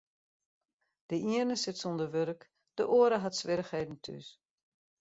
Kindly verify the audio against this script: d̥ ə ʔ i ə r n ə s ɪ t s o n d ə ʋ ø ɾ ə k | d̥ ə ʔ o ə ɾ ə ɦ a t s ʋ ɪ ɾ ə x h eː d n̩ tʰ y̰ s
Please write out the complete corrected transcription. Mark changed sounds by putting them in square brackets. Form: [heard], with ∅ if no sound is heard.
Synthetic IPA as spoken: d̥ ə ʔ i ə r n ə s ɪ t s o n d ə ʋ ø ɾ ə k | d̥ ə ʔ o ə ɾ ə ɦ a t s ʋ ɪ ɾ ə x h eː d n̩ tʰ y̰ s